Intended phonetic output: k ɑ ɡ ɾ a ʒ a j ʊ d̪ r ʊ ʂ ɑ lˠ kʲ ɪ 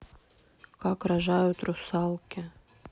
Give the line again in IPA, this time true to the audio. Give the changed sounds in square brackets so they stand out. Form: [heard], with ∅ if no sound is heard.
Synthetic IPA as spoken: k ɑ [k] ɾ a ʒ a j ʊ [t̪] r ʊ [s] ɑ lˠ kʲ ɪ